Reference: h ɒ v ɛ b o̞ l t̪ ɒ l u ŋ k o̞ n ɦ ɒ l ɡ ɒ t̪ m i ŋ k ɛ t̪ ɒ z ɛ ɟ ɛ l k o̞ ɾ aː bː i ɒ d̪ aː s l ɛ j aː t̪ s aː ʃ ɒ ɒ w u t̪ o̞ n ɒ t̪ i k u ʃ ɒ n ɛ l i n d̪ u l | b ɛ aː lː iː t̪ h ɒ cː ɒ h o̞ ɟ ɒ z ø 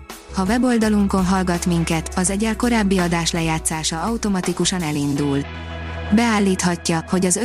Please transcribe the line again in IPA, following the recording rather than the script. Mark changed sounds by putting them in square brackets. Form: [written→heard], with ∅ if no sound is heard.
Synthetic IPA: h ɒ v ɛ b o̞ l [t̪→d̪] ɒ l u ŋ k o̞ n ɦ ɒ l ɡ ɒ t̪ m i ŋ k ɛ t̪ ɒ z ɛ ɟ ɛ l k o̞ ɾ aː bː i ɒ d̪ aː [s→ʃ] l ɛ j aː t̪ s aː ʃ ɒ ɒ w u t̪ o̞ [n→m] ɒ t̪ i k u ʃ ɒ n ɛ l i n d̪ u l | b ɛ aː lː iː t̪ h ɒ cː ɒ h o̞ ɟ ɒ z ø